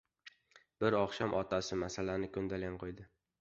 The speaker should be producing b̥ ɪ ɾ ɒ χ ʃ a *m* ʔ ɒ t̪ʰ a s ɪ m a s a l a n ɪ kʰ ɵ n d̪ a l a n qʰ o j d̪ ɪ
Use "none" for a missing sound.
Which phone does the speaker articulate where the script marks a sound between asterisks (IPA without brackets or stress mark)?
m